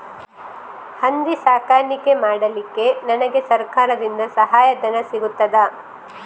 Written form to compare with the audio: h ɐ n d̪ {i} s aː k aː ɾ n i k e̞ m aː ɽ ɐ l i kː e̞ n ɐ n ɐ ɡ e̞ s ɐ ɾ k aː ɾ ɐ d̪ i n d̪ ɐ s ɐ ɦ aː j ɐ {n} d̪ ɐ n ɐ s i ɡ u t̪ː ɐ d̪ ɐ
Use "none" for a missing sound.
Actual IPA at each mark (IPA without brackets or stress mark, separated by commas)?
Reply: i, none